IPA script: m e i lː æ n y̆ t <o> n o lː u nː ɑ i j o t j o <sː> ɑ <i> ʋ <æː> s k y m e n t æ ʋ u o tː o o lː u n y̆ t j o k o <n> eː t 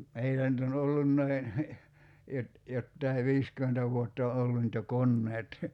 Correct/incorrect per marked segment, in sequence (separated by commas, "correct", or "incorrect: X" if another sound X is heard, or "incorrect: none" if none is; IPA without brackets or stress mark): correct, incorrect: tː, correct, incorrect: iː, incorrect: nː